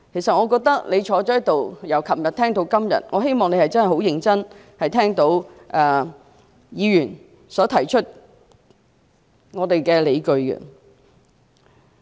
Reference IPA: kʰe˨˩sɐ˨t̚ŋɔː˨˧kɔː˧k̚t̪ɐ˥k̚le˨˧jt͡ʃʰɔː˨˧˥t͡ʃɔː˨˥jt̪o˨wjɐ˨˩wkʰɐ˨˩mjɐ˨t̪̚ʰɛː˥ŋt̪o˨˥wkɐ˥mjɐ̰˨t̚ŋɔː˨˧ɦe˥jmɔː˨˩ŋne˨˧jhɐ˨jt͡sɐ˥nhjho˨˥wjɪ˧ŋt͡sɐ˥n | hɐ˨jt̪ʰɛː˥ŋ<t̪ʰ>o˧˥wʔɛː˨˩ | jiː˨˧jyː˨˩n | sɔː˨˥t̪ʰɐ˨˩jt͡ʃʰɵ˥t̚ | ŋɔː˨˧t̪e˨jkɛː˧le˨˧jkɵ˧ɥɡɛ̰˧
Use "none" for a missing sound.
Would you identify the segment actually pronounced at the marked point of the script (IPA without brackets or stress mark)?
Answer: t̪